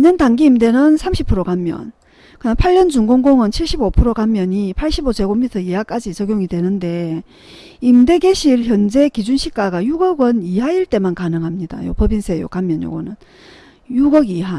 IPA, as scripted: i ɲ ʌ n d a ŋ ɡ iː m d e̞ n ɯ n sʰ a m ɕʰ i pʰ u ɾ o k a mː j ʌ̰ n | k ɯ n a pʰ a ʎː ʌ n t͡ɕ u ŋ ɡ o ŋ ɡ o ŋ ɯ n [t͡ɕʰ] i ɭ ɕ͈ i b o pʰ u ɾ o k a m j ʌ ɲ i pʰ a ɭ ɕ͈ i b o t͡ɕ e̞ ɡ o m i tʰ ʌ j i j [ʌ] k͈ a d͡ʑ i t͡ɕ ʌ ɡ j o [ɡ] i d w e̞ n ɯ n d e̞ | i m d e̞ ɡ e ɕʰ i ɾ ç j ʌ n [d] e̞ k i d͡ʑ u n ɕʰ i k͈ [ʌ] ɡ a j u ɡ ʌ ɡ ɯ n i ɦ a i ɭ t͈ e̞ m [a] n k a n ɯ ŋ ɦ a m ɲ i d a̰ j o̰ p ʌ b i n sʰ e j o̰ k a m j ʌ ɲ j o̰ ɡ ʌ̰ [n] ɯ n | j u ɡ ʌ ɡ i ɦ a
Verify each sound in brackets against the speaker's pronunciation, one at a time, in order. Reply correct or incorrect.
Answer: correct, incorrect: a, incorrect: ŋ, incorrect: d͡ʑ, incorrect: a, correct, correct

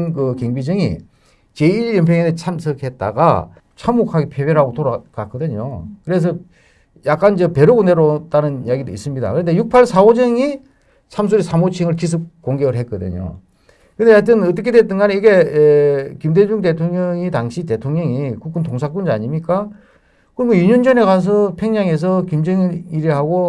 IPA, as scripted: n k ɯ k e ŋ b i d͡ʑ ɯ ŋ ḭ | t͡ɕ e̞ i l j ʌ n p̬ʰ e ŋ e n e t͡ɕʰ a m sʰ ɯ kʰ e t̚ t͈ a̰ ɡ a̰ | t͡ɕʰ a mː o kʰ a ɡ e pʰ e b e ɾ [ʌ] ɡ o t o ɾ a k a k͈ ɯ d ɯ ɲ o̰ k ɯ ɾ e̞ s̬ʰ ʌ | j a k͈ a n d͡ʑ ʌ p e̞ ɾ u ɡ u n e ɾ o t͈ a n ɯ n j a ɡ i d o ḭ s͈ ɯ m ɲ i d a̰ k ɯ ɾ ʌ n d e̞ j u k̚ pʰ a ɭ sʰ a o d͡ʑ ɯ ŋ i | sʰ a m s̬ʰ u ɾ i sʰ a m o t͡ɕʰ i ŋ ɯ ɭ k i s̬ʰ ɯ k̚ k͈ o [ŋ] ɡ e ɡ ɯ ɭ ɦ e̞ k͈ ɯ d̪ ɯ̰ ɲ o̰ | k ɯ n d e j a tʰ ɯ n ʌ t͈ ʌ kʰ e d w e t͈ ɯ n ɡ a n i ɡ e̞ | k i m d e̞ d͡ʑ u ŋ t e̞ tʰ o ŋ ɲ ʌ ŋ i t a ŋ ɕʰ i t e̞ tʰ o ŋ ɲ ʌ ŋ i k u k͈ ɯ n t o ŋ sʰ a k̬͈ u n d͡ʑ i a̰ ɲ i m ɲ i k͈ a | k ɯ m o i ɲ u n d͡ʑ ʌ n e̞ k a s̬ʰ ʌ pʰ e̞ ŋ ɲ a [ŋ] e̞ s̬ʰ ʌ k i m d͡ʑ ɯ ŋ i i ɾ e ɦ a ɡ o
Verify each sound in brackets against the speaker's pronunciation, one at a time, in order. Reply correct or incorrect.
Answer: incorrect: a, correct, correct

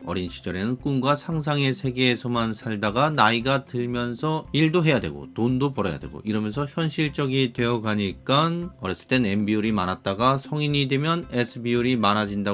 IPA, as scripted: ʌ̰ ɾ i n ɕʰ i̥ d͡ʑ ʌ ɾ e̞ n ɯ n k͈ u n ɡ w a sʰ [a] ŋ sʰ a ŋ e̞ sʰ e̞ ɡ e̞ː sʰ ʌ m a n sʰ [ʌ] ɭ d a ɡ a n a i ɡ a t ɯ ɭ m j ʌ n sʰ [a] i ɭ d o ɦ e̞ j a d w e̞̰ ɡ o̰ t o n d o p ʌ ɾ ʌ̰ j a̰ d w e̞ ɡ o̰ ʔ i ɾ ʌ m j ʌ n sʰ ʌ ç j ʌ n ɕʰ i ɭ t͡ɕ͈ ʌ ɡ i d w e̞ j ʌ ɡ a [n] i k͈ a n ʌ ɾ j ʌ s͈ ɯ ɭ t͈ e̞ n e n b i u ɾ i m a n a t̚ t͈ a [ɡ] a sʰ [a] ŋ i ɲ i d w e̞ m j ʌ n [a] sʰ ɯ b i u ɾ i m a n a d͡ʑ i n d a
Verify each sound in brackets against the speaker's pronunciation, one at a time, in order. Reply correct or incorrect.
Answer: correct, incorrect: a, incorrect: ʌ, incorrect: ɲ, correct, incorrect: ʌ, incorrect: e

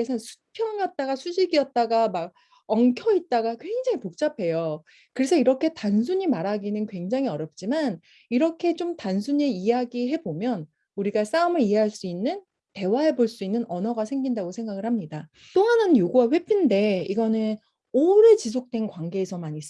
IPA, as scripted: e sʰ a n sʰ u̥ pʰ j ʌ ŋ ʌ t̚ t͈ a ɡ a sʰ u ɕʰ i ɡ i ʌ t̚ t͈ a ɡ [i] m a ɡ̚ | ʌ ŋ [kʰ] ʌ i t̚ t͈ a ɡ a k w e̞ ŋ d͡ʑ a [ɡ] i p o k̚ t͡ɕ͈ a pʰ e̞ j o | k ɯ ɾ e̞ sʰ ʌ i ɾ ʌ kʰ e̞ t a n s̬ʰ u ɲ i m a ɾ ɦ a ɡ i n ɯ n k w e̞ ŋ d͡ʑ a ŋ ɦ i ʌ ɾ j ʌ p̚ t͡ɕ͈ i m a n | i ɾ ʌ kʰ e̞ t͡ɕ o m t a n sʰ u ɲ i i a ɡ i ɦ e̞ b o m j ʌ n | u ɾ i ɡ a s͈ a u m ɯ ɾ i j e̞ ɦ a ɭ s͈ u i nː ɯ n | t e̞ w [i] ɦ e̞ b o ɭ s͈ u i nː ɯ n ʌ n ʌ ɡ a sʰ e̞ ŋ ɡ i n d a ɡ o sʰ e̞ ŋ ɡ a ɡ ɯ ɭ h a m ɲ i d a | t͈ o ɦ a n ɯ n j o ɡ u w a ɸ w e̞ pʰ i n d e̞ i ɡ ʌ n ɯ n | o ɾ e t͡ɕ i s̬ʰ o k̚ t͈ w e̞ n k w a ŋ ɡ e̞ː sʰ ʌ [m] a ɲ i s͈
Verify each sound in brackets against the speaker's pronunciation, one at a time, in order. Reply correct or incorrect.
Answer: incorrect: a, correct, incorrect: ŋ, incorrect: a, correct

